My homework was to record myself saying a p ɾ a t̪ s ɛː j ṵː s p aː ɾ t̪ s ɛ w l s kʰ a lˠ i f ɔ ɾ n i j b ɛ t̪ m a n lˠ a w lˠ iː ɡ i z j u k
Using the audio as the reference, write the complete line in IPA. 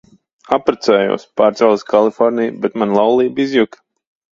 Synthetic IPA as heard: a p ɾ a t̪ s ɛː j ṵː s p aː ɾ t̪ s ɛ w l s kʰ a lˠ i f ɔ ɾ n i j b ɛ t̪ m a n lˠ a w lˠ iː b i z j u k